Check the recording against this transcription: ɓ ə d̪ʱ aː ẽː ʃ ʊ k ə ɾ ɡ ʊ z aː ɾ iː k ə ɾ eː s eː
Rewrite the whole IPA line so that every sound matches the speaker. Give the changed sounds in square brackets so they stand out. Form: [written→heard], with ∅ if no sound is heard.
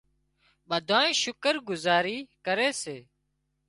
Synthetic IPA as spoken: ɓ ə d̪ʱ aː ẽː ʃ ʊ k ə ɾ ɡ ʊ z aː ɾ iː k ə ɾ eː s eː